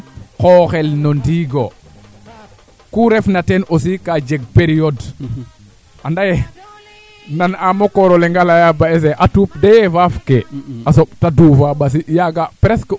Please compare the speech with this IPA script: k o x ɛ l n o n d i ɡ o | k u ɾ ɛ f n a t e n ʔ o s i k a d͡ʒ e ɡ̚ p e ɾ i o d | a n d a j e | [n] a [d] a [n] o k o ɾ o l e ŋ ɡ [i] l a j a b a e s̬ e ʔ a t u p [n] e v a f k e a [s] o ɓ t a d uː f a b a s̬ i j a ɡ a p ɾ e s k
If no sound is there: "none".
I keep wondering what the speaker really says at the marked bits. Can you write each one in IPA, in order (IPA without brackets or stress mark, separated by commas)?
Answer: n, n, m, a, d, s